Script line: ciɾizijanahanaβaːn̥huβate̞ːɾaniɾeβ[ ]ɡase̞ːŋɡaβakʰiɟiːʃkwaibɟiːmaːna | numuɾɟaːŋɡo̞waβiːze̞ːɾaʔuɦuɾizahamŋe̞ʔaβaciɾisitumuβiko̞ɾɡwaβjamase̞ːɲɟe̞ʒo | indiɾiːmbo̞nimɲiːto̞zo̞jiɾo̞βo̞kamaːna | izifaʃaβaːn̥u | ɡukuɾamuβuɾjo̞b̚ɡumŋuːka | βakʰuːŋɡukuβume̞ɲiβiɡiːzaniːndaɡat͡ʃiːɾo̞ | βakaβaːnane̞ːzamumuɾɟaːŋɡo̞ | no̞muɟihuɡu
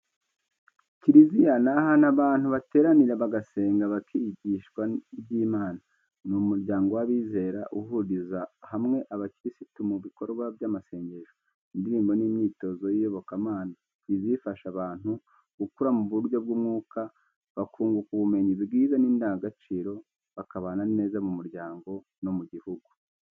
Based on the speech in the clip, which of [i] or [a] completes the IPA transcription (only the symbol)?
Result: a